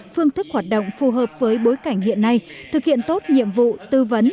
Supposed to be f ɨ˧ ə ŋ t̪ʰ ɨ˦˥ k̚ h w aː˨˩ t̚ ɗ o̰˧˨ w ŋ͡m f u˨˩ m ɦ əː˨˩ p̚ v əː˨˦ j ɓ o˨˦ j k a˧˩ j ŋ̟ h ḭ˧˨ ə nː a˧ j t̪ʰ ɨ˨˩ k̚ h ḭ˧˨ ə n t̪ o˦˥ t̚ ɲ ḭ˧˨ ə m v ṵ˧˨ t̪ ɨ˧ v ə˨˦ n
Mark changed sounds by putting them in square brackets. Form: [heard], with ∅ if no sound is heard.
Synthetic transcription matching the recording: f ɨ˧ ə ŋ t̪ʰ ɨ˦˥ k̚ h w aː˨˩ t̚ ɗ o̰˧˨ w ŋ͡m f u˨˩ [∅] ɦ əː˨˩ p̚ v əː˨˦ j ɓ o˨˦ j k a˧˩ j ŋ̟ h ḭ˧˨ ə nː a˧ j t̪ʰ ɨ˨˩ k̚ h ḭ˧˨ ə n t̪ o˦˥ t̚ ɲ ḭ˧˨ ə m v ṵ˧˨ t̪ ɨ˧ v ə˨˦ n